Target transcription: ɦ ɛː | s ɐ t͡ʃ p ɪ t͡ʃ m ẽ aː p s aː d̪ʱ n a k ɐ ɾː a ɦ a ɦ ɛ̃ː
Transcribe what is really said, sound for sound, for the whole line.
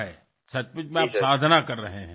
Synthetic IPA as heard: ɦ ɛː | s ɐ t͡ʃ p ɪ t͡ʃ m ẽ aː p s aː d̪ʱ n a k ɐ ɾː ɐ ɦ e ɦ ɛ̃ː